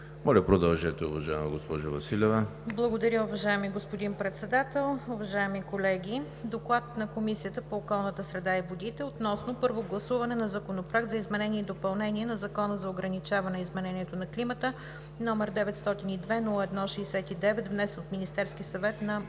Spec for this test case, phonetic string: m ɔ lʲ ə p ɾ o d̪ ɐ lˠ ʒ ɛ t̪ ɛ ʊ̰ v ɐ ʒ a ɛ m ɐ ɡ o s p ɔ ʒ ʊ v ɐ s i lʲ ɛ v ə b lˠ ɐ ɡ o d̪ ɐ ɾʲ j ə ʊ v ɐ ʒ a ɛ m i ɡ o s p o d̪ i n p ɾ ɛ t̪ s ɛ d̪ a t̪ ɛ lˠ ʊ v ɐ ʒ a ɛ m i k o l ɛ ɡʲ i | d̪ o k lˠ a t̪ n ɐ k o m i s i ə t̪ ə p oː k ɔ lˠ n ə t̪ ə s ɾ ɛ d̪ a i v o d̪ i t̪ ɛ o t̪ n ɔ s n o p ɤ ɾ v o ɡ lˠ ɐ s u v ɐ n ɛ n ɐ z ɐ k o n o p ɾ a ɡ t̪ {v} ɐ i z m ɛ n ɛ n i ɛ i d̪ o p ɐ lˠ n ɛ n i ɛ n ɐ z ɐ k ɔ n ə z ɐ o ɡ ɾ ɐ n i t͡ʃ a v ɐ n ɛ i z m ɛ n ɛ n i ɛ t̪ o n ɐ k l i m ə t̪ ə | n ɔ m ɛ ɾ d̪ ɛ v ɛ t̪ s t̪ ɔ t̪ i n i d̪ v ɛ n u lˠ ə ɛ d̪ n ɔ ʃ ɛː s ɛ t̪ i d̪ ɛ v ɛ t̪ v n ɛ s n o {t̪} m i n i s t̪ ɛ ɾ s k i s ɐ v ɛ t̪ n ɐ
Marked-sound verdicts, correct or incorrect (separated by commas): incorrect, correct